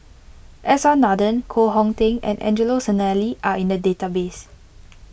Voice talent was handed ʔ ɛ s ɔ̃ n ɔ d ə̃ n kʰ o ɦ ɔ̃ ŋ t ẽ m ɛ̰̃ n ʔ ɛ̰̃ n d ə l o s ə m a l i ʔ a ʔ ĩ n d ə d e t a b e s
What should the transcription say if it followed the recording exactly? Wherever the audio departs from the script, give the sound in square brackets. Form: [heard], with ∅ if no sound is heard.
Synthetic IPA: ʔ ɛ s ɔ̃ n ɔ d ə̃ n kʰ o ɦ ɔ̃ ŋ t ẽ [ŋ] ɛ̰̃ n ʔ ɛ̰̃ n [d͡ʒ] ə l o s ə [n] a l i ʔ a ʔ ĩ n d ə d e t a b e s